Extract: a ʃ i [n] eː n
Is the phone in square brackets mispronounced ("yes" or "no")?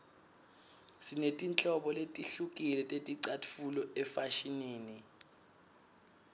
no